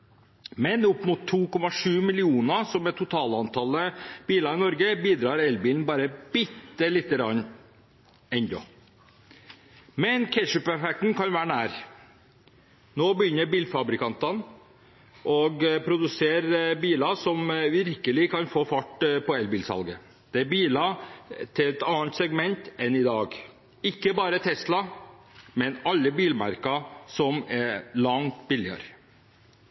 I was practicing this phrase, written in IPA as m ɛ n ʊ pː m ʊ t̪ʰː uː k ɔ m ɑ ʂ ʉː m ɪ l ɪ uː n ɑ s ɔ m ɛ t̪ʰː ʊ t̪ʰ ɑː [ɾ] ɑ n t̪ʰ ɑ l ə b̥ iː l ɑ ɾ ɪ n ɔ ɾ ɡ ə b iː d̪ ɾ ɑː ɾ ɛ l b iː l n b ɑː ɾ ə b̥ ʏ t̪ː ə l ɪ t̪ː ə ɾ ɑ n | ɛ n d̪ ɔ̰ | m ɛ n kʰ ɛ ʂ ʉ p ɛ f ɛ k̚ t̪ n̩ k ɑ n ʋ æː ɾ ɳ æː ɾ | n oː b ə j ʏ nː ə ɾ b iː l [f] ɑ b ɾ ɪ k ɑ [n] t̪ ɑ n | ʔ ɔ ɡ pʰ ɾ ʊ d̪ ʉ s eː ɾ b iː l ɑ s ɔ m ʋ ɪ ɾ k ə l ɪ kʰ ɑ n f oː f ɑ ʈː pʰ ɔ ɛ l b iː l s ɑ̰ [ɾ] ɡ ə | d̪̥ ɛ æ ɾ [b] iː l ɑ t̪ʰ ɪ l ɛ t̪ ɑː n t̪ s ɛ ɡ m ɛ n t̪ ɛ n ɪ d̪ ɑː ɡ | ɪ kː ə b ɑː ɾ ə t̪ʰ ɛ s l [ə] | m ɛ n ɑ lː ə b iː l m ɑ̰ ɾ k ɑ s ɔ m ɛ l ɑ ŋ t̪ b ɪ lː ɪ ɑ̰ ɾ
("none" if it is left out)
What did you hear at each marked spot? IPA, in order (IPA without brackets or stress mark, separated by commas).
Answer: l, f, n, l, b, ɑ